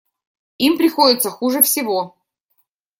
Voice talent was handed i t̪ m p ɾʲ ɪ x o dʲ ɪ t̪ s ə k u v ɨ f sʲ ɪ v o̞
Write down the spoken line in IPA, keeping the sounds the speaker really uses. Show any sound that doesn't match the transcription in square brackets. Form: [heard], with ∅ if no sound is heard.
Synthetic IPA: i [∅] m p ɾʲ ɪ x o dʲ ɪ t̪ s ə [x] u [ʐ] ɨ f sʲ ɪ v o̞